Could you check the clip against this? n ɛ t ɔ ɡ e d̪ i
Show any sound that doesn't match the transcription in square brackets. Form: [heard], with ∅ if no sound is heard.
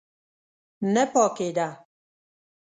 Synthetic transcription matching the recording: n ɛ [p] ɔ [k] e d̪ [a]